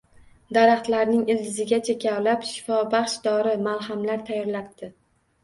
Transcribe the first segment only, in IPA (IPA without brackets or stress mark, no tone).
d̪